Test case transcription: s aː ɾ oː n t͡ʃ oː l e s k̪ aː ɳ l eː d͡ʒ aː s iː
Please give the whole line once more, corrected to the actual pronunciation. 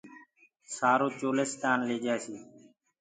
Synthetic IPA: s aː ɾ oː t͡ʃ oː l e s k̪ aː n l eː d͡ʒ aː s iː